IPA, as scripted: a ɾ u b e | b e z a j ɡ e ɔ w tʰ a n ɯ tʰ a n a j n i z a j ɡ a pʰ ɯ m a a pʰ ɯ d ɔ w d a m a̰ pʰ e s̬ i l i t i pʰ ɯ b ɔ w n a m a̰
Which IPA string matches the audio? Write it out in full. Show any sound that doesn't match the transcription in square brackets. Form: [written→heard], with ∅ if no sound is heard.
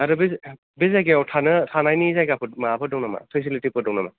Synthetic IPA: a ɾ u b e | b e z a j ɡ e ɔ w tʰ a n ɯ tʰ a n a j n i z a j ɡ a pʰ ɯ m a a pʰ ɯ d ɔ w [d→n] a m a̰ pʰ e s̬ i l i t i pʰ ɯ [b→d] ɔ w n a m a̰